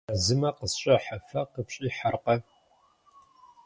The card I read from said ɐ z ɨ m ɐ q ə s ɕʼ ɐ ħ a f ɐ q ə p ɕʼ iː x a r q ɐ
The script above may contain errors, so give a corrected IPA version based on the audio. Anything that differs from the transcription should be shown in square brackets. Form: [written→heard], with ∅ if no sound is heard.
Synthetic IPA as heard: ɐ z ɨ m ɐ q ə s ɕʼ ɐ ħ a f ɐ q ə p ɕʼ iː [x→ħ] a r q ɐ